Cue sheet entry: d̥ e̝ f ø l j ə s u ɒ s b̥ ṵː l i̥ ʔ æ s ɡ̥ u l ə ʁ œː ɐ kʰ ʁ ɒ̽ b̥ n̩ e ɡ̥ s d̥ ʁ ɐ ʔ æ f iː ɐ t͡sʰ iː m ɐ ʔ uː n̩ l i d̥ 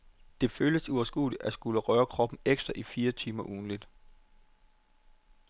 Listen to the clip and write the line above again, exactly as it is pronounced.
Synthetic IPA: d̥ e̝ f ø l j ə s u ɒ s ɡ̥ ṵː l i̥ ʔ æ s ɡ̥ u l ə ʁ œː ɐ kʰ ʁ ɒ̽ b̥ n̩ e ɡ̥ s d̥ ʁ ɐ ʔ i f iː ɐ t͡sʰ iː m ɐ ʔ uː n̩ l i d̥